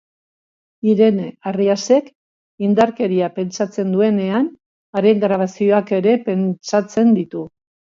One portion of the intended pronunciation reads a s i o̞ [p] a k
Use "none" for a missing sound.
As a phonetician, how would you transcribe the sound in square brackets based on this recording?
none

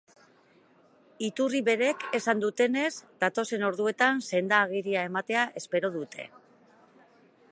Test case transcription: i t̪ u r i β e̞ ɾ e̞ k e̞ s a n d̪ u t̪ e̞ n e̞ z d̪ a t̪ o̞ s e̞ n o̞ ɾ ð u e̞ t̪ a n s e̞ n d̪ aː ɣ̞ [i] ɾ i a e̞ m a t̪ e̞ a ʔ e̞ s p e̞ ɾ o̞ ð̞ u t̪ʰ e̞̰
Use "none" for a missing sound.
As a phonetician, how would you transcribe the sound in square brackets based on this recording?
i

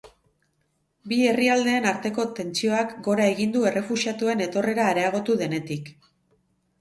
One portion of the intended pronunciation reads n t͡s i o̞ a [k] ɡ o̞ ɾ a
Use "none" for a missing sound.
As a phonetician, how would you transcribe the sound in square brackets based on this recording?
k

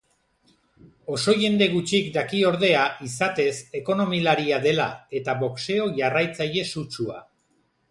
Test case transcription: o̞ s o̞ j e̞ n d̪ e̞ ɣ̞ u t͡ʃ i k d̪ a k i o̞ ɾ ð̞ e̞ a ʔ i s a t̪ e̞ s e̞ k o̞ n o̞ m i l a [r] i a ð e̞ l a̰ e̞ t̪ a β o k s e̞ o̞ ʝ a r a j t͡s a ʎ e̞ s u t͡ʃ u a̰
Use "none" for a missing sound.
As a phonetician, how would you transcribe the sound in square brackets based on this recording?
ɾ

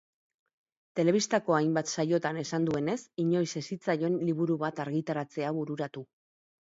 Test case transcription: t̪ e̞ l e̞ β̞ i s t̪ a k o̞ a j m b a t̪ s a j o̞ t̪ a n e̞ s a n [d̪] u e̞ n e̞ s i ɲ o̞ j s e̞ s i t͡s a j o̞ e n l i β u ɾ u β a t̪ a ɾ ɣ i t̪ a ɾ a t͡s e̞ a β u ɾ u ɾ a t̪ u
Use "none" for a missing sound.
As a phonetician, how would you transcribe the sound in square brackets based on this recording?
d̪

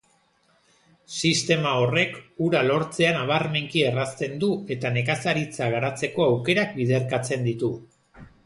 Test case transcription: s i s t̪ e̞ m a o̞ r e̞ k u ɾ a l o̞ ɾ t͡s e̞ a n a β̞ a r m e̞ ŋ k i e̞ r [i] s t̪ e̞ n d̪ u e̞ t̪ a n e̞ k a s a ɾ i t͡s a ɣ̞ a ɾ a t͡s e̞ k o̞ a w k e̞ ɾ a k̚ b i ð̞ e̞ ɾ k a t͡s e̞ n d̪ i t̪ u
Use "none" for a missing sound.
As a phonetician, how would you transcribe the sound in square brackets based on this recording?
a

